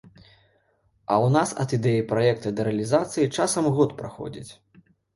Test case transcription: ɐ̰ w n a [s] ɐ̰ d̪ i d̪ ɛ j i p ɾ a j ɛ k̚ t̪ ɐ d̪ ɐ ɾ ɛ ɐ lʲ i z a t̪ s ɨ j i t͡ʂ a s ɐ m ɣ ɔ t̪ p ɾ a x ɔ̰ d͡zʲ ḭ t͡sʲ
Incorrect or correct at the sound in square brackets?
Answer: correct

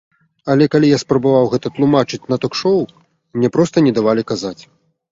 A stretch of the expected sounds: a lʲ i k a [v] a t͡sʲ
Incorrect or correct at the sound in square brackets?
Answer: incorrect: z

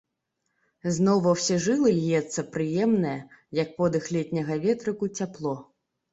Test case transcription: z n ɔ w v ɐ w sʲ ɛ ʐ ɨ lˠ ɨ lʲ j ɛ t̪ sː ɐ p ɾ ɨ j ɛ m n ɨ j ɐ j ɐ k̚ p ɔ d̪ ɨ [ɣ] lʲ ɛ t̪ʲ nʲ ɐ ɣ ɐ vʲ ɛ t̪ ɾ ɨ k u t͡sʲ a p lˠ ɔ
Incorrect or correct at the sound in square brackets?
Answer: incorrect: x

